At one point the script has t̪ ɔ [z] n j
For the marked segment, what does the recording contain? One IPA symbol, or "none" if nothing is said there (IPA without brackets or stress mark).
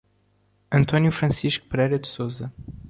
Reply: none